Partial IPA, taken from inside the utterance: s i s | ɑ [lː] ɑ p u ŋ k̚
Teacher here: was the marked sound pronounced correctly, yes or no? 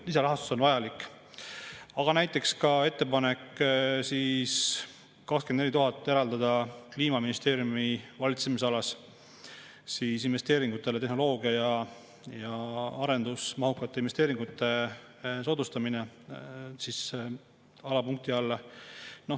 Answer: no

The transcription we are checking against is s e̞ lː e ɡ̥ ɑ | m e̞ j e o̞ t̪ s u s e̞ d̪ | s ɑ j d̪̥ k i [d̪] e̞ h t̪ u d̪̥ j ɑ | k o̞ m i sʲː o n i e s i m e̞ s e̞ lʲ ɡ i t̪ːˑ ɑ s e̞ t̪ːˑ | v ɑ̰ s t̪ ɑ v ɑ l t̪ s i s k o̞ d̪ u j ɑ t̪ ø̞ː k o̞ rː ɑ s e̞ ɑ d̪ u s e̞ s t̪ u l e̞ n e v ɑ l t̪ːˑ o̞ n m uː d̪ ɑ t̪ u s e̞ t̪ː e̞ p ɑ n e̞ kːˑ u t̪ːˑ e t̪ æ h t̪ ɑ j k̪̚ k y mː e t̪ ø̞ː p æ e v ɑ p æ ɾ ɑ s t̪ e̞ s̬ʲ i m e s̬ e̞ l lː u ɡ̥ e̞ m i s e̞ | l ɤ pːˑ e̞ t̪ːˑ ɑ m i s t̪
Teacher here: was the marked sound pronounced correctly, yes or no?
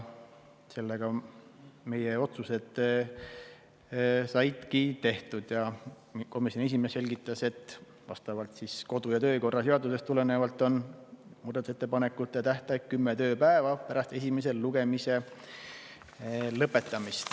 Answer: no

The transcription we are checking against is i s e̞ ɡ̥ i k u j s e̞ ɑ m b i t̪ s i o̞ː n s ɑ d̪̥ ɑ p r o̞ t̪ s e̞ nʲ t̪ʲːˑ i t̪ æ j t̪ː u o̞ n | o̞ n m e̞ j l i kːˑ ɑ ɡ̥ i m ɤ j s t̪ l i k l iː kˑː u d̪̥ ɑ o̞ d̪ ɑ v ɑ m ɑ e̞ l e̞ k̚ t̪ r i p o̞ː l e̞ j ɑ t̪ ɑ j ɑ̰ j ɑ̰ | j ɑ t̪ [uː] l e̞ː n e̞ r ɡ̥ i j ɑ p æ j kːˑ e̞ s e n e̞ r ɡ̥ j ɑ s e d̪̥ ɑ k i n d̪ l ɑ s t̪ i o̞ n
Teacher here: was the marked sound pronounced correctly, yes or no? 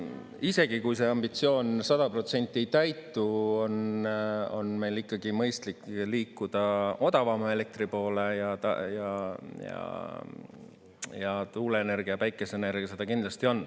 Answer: yes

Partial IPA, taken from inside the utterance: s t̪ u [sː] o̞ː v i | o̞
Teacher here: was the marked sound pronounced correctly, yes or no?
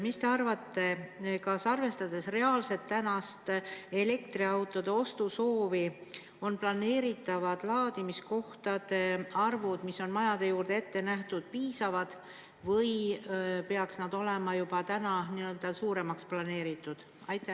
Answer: no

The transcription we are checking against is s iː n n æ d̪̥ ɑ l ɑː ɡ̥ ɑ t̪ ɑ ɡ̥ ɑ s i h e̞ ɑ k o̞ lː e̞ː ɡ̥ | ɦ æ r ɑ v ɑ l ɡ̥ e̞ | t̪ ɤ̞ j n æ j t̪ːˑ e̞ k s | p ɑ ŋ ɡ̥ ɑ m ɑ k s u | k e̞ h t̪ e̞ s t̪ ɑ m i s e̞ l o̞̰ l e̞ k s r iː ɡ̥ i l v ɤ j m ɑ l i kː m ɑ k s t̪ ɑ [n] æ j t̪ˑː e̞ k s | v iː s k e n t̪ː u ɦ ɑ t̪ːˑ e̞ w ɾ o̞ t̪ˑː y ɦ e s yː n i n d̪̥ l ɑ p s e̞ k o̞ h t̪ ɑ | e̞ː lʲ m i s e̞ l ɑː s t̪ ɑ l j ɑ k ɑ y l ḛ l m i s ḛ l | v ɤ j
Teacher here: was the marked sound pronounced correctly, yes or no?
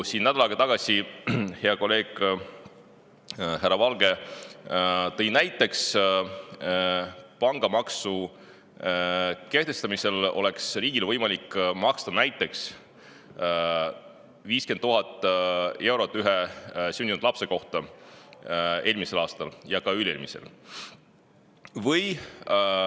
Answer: yes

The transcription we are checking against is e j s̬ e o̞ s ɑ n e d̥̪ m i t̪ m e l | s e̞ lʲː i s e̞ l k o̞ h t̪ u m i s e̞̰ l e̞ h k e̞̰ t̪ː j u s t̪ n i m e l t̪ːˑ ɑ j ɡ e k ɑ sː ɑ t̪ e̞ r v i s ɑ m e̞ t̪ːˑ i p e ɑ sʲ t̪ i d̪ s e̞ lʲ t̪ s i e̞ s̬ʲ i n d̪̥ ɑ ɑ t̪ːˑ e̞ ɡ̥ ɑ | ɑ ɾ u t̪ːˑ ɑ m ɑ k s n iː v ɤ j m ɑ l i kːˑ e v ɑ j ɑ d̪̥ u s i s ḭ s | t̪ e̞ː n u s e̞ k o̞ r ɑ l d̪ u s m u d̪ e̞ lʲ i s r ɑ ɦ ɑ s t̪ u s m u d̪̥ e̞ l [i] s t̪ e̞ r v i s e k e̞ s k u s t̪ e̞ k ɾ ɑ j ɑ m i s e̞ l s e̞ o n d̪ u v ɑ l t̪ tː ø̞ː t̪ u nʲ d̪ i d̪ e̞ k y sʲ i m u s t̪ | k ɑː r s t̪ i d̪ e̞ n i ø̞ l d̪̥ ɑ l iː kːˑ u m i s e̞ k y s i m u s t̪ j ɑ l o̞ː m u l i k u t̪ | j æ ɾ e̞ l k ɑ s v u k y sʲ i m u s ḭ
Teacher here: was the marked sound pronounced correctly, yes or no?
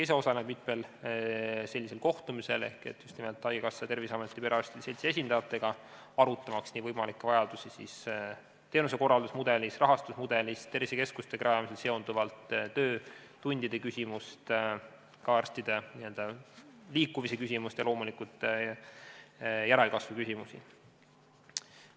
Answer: yes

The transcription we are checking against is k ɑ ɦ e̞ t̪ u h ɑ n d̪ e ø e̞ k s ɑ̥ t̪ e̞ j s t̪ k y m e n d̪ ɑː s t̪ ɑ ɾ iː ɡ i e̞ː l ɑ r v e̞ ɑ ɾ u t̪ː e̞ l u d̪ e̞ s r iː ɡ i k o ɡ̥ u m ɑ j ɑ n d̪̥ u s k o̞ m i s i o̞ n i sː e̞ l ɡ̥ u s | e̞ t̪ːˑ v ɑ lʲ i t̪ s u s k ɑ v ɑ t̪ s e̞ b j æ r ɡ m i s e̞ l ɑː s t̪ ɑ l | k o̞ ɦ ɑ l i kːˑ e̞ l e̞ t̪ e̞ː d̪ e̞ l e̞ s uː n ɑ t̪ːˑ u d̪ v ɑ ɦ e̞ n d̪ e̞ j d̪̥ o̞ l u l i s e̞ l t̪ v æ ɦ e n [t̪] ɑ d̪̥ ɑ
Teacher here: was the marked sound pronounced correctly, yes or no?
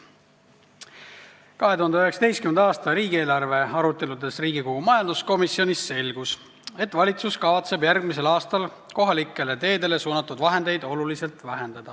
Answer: no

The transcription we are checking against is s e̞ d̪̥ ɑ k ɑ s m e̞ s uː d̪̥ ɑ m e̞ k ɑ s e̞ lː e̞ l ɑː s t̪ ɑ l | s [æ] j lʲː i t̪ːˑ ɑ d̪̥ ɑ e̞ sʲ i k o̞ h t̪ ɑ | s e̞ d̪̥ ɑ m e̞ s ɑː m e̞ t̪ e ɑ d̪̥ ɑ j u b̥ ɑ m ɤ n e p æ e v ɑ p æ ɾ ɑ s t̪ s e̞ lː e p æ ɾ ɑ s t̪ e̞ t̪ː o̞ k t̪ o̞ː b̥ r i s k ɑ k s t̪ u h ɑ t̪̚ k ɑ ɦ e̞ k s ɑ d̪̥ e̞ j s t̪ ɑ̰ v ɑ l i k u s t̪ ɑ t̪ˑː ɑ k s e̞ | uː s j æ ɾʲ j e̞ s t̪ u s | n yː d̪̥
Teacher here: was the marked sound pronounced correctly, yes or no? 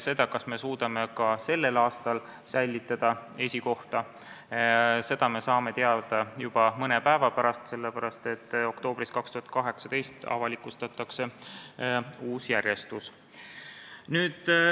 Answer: yes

